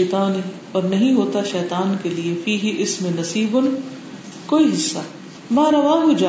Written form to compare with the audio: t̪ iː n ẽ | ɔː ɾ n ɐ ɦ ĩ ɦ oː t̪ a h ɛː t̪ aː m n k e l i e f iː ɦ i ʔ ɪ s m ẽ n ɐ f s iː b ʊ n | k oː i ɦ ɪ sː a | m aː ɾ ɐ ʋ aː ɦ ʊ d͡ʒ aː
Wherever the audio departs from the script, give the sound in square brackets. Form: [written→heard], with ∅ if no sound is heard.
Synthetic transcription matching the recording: t̪ [iː→aː] n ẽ | ɔː ɾ n ɐ ɦ ĩ ɦ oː t̪ a [h→ʃ] ɛː t̪ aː [m→∅] n k e l i e f iː ɦ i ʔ ɪ s m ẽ n ɐ [f→∅] s iː b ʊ n | k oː i ɦ ɪ sː a | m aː ɾ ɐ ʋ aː ɦ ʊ d͡ʒ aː